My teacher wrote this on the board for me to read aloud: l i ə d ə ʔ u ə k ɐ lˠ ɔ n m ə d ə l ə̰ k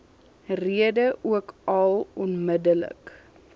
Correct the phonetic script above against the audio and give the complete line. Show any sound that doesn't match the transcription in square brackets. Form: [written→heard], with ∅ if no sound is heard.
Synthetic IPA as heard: [l→r] i ə d ə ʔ u ə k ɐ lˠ ɔ n m ə d ə l ə̰ k